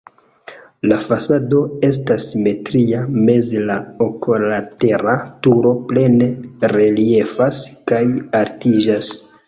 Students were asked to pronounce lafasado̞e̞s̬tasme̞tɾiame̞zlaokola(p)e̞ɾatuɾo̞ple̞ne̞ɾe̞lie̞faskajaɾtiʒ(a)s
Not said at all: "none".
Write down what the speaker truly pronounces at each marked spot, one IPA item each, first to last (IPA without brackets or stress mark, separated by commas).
t, a